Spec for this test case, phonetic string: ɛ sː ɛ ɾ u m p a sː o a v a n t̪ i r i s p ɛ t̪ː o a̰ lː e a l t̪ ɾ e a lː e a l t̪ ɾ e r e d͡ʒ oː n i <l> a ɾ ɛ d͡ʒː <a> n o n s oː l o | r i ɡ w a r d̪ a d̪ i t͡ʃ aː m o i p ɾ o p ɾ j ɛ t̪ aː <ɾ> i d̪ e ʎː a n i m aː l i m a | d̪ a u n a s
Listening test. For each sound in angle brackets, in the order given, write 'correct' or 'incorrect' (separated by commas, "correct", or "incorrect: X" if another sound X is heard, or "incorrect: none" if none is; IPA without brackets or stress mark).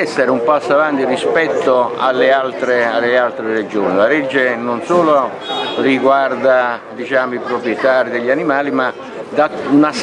correct, incorrect: e, correct